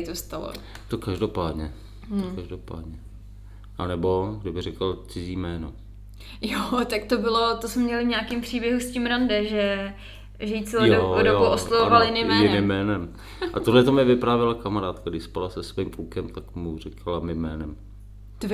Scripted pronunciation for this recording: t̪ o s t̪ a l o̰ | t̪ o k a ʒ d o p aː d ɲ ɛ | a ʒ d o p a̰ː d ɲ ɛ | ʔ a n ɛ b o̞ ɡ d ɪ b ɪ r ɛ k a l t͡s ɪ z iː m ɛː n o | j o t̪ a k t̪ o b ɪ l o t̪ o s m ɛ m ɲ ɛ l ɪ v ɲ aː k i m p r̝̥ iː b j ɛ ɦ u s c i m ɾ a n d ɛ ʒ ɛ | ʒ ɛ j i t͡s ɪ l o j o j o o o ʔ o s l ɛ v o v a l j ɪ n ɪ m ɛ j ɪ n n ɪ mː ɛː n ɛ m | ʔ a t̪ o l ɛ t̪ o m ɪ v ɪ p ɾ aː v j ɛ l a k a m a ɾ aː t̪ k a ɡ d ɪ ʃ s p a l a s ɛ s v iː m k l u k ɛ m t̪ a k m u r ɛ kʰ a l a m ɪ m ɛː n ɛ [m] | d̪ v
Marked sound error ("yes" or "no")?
no